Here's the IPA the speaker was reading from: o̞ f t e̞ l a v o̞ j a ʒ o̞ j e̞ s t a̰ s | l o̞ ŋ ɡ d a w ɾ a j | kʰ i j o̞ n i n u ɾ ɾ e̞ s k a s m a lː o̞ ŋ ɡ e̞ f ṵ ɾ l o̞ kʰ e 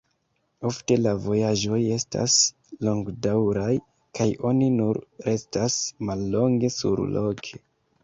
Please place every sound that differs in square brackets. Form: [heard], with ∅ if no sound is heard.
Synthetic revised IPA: o̞ f t e̞ l a v o̞ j a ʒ o̞ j e̞ s t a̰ s | l o̞ ŋ ɡ d a w ɾ a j | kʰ [a] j o̞ n i n u ɾ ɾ e̞ s [t] a s m a lː o̞ ŋ ɡ e̞ [s] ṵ ɾ l o̞ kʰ e